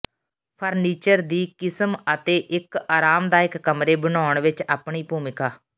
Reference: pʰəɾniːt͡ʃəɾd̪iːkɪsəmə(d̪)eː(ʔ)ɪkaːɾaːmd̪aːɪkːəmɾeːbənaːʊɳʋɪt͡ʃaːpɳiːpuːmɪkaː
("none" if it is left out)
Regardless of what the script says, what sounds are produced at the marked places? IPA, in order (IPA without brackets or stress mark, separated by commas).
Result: t̪, ʔ